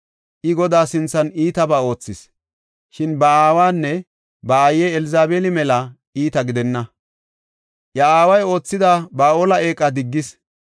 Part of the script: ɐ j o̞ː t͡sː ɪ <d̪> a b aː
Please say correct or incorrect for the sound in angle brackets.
correct